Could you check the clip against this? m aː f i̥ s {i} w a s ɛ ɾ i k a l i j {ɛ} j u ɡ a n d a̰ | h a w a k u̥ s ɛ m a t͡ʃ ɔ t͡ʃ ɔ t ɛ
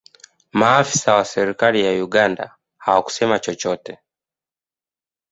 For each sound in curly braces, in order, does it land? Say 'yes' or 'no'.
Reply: no, no

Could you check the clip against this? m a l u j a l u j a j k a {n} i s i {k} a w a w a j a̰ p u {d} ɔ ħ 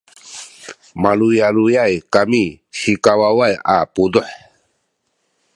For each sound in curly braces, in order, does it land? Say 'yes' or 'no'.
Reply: no, yes, yes

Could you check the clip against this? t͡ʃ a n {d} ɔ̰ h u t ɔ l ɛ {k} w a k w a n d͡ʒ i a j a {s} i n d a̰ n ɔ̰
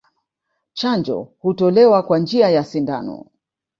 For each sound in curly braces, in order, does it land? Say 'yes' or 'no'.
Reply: no, no, yes

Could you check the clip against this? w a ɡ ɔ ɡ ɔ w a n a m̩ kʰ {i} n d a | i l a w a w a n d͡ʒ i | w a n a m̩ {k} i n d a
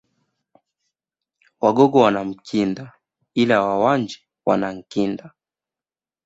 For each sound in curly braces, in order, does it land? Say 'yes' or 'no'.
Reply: yes, yes

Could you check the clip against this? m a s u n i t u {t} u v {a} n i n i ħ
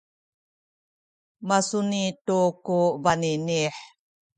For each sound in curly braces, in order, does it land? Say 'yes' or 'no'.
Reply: no, yes

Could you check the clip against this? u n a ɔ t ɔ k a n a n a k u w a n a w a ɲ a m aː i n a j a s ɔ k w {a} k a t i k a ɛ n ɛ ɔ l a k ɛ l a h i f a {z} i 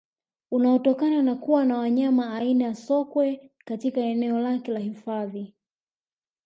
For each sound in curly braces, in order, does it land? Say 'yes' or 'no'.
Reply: no, no

